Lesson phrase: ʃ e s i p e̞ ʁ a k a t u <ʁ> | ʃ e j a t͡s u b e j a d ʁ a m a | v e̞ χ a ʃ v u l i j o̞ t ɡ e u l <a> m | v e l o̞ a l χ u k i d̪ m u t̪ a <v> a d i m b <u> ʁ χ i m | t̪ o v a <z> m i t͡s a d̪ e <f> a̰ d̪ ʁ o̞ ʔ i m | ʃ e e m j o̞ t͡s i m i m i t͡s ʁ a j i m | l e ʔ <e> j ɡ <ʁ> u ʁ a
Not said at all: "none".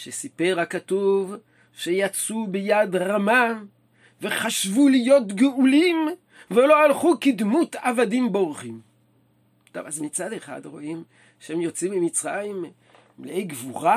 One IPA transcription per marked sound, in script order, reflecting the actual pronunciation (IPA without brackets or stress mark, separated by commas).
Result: v, i, v, o, z, χ, e, v